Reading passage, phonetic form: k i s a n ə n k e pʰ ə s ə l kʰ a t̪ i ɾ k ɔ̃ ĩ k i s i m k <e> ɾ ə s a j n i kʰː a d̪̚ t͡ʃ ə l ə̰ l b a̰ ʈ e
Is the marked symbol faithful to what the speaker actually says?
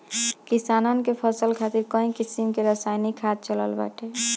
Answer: yes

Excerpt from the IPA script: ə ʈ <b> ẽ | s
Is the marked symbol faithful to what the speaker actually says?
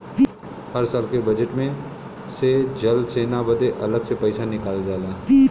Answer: no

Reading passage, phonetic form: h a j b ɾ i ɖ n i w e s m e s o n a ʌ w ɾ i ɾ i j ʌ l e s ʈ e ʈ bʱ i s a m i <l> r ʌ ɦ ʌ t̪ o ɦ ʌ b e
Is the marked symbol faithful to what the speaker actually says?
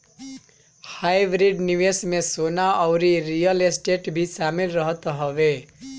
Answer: yes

